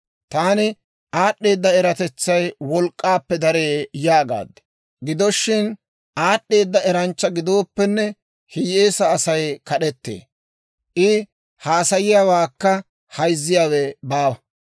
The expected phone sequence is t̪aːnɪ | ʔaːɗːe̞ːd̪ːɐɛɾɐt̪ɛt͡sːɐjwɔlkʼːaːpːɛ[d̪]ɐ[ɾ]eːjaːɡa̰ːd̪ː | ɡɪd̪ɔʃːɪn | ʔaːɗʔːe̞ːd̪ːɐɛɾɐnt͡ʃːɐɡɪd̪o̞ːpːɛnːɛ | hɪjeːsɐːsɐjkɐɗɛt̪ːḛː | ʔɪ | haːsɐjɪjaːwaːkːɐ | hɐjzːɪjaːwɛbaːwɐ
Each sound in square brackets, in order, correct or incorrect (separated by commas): correct, correct